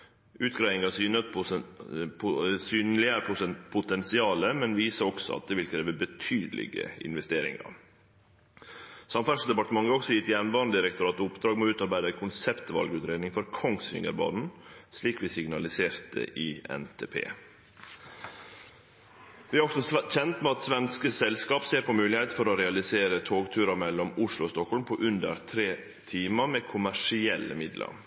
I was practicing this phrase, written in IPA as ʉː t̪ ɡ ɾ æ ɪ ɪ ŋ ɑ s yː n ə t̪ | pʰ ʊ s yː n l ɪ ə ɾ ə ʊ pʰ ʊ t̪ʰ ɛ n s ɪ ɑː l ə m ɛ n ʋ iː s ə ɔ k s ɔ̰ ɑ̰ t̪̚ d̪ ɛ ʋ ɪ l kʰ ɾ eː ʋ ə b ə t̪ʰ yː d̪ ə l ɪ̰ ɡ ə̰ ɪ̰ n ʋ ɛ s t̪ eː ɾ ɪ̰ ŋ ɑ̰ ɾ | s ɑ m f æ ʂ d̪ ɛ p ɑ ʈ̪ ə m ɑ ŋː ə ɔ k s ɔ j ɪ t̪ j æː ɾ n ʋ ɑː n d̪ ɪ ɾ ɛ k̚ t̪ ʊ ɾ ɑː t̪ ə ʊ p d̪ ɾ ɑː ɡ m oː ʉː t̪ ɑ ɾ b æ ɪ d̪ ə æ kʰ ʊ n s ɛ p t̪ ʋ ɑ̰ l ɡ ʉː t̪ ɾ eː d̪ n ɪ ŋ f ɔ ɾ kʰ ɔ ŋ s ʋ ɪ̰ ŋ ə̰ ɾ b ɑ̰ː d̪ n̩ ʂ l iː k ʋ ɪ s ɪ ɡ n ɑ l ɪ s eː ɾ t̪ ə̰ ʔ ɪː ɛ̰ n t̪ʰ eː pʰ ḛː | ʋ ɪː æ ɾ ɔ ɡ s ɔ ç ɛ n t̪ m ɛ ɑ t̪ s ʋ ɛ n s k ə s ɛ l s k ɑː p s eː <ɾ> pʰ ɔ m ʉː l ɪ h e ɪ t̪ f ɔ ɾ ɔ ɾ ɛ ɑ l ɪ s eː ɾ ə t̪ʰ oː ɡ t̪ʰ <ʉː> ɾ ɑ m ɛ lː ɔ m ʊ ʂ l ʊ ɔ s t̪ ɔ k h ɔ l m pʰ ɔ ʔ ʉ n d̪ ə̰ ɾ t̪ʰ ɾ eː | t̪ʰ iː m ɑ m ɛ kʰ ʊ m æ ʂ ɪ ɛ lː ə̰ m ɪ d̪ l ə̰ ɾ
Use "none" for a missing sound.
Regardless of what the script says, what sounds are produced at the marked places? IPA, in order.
ɾ, ʉː

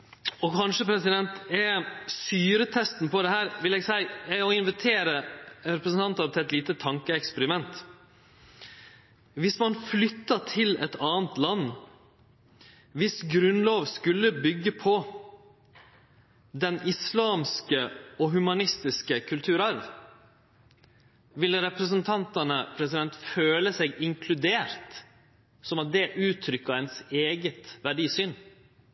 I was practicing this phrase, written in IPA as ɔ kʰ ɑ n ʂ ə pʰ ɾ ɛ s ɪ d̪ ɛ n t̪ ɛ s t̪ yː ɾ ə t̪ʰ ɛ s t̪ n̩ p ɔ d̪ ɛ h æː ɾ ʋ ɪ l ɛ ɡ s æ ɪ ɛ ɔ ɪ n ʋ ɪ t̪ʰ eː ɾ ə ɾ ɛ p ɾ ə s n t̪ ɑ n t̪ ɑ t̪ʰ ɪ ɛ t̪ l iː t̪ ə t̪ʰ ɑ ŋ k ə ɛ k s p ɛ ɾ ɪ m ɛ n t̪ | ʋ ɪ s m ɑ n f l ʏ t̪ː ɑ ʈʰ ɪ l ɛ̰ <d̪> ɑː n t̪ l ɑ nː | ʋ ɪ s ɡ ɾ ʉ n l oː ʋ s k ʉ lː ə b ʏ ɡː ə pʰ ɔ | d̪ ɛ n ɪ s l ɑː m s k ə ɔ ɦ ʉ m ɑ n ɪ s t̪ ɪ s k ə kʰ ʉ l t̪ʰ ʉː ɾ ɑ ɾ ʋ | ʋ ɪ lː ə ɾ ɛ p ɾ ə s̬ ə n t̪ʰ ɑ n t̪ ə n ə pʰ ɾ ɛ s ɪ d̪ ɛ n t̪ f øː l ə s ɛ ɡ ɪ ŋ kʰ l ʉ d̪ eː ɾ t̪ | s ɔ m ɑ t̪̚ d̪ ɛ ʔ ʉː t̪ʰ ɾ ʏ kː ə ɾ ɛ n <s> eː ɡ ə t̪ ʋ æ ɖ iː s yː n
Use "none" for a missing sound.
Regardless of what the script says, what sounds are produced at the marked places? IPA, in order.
t̪, s

